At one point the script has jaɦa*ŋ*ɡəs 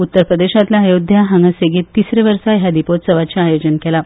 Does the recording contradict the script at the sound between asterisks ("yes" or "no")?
no